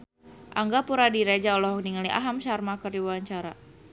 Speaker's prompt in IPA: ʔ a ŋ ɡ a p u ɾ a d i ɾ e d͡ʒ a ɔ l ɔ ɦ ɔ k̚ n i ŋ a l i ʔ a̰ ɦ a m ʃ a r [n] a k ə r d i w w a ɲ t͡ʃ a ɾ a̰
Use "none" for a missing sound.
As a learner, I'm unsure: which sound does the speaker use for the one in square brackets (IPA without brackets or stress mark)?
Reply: m